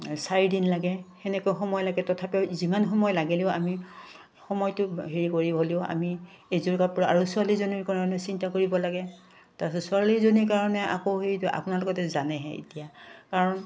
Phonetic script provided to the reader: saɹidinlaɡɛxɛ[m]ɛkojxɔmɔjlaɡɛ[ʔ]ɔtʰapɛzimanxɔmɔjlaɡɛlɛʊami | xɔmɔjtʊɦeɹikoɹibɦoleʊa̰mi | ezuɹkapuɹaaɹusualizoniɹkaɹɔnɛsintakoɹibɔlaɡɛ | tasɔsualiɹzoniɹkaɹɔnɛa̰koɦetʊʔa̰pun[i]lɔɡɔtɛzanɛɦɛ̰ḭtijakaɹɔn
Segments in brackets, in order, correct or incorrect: incorrect, incorrect, incorrect

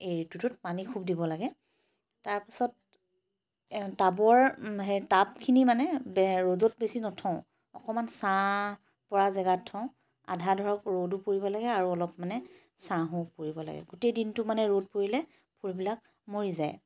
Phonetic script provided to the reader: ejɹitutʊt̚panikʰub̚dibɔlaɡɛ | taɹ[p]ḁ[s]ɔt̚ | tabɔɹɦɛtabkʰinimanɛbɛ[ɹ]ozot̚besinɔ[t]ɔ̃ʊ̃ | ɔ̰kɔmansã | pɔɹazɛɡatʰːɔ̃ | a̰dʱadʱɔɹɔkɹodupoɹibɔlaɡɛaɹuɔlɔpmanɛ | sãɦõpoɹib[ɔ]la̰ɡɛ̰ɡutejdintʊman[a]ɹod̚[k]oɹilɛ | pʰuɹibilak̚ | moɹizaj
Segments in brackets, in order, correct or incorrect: correct, correct, correct, incorrect, correct, incorrect, incorrect

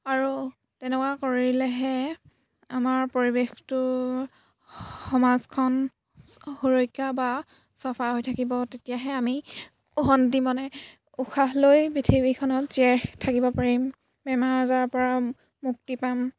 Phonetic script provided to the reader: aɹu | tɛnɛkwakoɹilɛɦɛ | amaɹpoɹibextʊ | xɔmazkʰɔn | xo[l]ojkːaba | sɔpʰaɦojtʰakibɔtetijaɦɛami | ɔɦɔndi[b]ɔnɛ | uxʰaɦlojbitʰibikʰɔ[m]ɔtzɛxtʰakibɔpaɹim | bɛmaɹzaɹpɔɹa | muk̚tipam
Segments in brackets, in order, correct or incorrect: incorrect, incorrect, incorrect

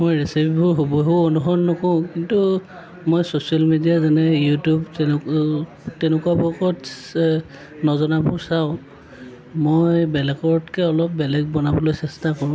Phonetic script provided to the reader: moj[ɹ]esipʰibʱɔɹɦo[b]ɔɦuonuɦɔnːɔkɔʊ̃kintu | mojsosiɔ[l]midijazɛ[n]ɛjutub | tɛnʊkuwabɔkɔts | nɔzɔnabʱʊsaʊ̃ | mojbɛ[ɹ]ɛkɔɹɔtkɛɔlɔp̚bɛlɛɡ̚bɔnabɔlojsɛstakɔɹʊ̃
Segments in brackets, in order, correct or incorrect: correct, correct, correct, correct, incorrect

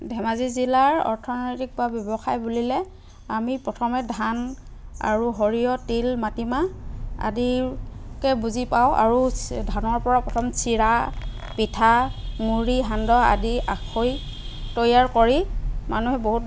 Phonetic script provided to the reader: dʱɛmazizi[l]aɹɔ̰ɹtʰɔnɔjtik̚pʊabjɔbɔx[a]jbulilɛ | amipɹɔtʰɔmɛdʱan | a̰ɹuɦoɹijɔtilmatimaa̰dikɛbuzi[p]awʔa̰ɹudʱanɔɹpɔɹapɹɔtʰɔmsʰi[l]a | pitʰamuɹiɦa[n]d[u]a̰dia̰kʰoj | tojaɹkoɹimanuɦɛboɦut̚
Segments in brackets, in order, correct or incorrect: correct, correct, correct, incorrect, correct, incorrect

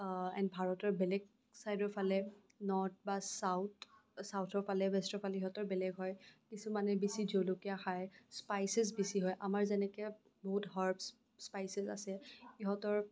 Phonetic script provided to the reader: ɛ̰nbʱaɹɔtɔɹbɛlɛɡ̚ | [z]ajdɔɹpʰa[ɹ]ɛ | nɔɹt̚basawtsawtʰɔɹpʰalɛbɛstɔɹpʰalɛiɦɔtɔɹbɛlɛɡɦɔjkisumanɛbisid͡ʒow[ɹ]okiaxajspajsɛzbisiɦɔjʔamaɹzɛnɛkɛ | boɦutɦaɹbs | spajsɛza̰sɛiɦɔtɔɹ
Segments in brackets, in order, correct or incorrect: incorrect, incorrect, incorrect

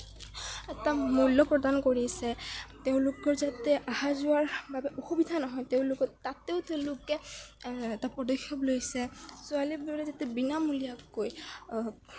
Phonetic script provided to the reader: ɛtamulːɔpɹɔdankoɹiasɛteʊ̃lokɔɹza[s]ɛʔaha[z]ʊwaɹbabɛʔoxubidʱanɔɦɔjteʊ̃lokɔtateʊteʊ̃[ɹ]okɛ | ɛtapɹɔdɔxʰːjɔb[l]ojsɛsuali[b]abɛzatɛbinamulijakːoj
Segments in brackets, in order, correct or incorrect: incorrect, correct, incorrect, correct, correct

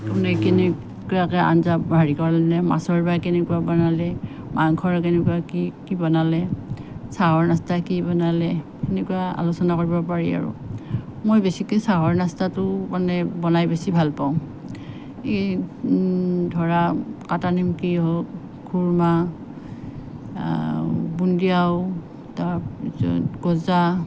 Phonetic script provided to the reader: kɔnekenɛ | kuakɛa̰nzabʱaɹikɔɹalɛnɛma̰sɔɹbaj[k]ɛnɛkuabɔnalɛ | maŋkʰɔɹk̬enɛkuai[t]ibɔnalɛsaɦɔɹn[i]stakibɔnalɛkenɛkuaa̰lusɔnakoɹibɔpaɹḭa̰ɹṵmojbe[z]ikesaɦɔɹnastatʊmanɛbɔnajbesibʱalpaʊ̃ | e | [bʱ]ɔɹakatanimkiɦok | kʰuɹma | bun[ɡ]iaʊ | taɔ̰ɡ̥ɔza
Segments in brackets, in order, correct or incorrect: correct, incorrect, incorrect, incorrect, incorrect, incorrect

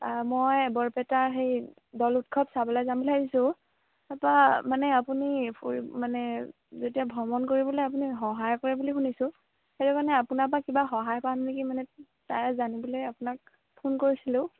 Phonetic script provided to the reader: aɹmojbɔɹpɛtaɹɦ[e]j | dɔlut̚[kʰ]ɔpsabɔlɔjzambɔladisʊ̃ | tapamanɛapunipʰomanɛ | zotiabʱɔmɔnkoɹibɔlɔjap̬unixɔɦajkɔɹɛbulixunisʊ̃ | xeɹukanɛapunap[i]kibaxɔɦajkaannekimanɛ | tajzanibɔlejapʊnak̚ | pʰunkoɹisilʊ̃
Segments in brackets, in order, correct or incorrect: correct, correct, incorrect

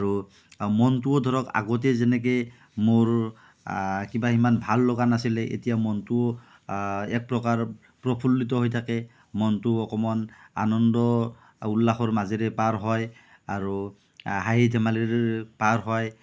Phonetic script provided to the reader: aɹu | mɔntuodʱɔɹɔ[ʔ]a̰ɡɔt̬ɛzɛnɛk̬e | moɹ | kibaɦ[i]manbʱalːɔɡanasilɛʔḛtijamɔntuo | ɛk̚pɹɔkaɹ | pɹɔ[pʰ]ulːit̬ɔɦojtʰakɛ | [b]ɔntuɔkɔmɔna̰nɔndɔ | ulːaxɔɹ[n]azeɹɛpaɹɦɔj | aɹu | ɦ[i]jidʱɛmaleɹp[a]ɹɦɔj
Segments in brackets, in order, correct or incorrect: incorrect, correct, correct, incorrect, incorrect, incorrect, correct

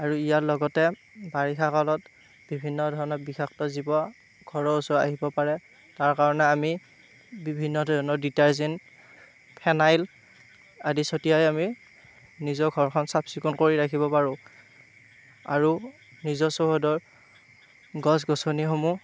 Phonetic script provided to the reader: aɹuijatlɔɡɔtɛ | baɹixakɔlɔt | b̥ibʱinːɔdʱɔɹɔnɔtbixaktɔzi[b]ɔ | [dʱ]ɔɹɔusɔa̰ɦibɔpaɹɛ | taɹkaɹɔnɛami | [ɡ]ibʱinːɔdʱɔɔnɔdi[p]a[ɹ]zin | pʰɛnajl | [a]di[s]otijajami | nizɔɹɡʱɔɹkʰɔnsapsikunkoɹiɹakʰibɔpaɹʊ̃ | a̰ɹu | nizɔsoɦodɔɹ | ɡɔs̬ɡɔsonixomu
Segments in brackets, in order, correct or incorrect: correct, incorrect, incorrect, incorrect, correct, correct, correct

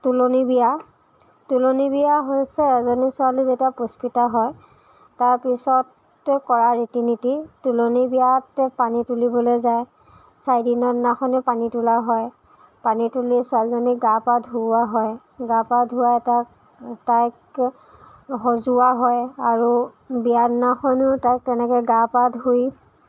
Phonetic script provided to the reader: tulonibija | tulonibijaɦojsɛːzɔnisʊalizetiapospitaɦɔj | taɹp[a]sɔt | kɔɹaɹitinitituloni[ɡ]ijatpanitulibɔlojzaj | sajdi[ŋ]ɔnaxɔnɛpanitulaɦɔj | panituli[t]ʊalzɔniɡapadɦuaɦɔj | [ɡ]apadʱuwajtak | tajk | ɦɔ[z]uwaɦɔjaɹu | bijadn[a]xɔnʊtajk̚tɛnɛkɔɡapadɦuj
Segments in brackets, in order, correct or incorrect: incorrect, incorrect, incorrect, incorrect, correct, correct, correct

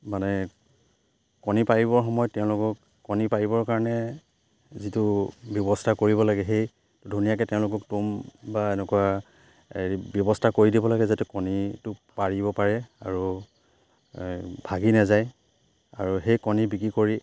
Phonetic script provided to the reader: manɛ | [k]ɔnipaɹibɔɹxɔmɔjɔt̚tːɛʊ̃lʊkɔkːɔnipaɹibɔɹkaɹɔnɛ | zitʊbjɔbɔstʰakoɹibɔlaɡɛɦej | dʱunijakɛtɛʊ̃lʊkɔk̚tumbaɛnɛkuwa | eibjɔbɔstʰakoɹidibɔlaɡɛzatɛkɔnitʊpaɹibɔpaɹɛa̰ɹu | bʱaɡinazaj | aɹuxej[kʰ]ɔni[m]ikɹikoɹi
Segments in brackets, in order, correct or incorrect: correct, incorrect, incorrect

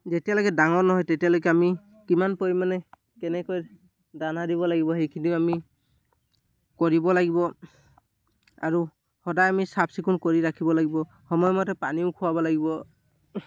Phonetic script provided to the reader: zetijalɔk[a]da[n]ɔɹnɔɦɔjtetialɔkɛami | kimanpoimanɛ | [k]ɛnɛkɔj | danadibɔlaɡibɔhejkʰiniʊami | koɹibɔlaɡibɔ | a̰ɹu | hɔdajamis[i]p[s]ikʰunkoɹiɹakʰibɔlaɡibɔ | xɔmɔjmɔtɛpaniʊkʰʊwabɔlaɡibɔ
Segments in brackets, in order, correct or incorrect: incorrect, incorrect, correct, incorrect, correct

